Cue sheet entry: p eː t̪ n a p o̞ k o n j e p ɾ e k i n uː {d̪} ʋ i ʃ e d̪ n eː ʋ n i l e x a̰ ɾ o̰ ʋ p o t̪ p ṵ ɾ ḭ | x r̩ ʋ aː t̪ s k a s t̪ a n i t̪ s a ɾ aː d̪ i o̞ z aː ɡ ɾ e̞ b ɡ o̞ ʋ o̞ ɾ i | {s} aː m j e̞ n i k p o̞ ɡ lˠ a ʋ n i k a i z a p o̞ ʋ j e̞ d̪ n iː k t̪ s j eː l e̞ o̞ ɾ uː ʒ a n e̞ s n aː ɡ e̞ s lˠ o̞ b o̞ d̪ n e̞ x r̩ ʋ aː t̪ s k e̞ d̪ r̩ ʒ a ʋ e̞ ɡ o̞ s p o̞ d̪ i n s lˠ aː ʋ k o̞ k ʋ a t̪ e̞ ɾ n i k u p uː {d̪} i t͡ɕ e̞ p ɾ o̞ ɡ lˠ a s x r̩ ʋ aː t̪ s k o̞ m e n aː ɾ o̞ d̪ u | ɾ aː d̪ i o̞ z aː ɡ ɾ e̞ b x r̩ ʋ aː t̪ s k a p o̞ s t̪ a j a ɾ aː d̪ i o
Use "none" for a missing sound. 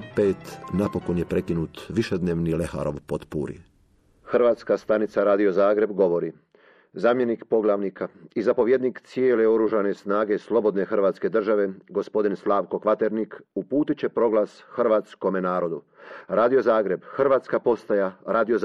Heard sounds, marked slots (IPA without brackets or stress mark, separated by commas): t̪, z, t̪